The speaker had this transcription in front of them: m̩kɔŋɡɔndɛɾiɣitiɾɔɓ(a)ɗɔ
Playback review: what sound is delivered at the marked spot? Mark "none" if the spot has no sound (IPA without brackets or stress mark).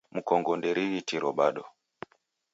a